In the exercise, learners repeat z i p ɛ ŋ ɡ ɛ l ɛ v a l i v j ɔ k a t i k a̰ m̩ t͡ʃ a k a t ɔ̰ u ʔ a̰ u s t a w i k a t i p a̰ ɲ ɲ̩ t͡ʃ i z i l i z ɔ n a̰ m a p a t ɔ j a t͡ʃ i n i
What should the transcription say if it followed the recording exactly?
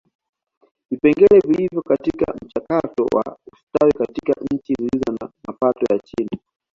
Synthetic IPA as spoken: v i p ɛ ŋ ɡ ɛ l ɛ v i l i v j ɔ k a t i k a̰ m̩ t͡ʃ a k a t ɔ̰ w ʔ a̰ u s t a w i k a t i k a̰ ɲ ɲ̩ t͡ʃ i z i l i z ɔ n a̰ m a p a t ɔ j a t͡ʃ i n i